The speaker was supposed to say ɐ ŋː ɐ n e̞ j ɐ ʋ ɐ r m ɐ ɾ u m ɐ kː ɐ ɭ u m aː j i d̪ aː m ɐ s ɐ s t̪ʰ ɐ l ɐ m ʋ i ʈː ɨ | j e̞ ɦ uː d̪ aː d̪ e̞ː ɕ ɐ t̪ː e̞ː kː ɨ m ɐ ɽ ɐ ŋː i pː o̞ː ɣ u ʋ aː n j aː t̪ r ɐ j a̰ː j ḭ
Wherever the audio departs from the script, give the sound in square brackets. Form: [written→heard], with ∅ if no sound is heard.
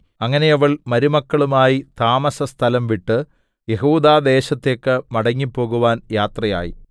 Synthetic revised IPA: ɐ ŋː ɐ n e̞ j ɐ ʋ ɐ [r→ɭ] m ɐ ɾ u m ɐ kː ɐ ɭ u m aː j i [d̪→t̪] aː m ɐ s ɐ s t̪ʰ ɐ l ɐ m ʋ i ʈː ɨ | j e̞ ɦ uː d̪ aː d̪ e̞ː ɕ ɐ t̪ː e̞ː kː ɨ m ɐ ɽ ɐ ŋː i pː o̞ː ɣ u ʋ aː n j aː t̪ r ɐ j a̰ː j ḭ